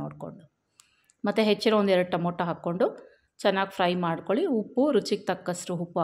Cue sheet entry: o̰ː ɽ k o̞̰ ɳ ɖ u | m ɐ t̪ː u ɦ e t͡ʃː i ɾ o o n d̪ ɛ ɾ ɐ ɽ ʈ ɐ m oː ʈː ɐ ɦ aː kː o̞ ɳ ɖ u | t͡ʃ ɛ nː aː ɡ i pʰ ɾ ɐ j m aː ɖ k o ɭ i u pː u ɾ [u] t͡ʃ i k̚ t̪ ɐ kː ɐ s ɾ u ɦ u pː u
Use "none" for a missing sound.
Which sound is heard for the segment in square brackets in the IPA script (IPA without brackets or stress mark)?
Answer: u